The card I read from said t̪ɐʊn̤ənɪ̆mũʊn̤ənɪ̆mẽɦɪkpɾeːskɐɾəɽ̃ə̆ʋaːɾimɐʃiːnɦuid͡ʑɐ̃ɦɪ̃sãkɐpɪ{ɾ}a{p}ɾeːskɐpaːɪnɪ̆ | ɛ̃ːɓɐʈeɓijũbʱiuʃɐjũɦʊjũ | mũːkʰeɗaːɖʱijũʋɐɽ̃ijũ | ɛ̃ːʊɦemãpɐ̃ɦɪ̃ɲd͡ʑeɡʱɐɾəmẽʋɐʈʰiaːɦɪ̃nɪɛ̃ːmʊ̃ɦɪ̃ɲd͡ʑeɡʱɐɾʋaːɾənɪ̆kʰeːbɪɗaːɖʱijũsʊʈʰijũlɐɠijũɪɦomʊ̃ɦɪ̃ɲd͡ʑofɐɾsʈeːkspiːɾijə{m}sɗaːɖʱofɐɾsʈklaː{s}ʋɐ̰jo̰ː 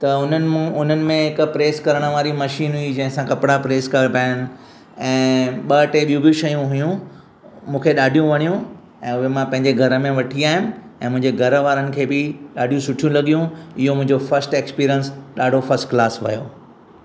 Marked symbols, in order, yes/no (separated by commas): no, yes, no, yes